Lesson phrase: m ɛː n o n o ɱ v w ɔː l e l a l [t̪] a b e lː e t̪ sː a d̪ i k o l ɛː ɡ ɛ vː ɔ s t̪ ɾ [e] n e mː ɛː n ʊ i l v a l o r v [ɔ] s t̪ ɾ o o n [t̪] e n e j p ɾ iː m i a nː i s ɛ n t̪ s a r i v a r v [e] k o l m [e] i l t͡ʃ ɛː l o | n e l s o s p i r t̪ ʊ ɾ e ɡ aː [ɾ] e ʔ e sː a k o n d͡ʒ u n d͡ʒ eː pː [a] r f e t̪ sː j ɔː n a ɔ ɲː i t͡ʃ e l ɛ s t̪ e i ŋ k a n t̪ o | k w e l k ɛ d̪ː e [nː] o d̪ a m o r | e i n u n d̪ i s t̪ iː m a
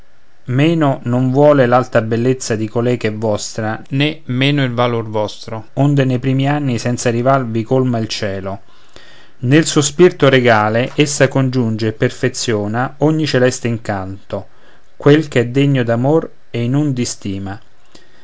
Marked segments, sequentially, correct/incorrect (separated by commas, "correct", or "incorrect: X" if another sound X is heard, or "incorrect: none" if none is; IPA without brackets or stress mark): correct, incorrect: a, correct, incorrect: d̪, incorrect: i, incorrect: a, incorrect: l, incorrect: e, incorrect: ɲː